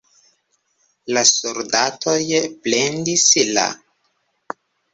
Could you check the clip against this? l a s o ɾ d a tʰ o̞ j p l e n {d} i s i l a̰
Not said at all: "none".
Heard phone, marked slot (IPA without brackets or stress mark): d